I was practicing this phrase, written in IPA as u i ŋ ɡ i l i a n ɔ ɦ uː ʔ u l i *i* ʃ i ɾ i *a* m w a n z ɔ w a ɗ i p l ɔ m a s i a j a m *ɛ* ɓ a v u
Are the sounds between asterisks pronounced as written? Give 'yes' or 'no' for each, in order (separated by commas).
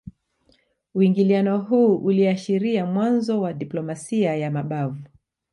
no, yes, no